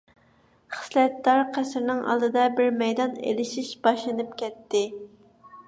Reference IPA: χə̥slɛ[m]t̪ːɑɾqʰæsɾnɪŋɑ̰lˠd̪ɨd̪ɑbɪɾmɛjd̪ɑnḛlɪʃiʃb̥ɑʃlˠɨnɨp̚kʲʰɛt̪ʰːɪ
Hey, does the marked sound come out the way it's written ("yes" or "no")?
no